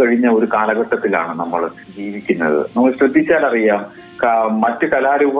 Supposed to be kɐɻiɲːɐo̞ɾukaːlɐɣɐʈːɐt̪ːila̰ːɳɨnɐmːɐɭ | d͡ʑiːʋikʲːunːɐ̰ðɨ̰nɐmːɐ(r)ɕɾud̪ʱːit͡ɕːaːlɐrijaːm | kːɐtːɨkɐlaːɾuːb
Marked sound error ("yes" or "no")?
yes